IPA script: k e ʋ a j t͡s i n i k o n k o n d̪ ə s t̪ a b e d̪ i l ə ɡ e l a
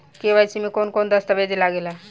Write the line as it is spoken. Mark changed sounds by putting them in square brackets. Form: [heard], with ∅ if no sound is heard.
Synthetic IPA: k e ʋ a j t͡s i [m] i k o n k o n d̪ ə s t̪ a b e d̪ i l [a] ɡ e l a